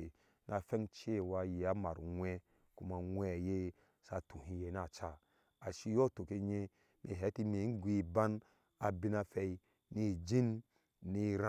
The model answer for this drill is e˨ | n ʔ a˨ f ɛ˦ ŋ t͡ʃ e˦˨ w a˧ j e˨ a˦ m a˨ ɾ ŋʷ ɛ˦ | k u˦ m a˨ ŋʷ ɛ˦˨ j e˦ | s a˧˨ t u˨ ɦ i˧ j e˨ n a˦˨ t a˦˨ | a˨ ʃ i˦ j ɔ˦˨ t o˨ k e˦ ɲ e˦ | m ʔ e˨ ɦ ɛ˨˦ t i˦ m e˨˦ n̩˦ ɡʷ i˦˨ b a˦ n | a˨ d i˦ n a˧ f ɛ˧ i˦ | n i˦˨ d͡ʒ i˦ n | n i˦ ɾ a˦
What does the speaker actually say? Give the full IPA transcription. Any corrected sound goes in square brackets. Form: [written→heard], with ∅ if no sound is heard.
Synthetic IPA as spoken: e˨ | n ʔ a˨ f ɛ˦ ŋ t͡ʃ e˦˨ w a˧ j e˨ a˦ m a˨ ɾ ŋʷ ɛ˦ | k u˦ m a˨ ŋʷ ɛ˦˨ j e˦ | s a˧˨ t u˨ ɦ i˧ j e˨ n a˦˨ [t→t͡ʃ] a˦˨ | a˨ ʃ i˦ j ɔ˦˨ t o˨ k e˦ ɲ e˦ | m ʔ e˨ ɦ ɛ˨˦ t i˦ m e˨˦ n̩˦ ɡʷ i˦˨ b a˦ n | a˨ [d→b] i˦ n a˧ f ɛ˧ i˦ | n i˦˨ d͡ʒ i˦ n | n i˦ ɾ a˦